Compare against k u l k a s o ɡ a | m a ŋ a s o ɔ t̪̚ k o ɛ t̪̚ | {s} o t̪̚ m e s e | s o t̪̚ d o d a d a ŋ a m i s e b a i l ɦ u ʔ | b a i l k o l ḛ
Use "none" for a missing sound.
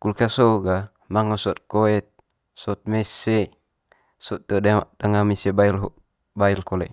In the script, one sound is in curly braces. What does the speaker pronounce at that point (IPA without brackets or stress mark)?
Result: s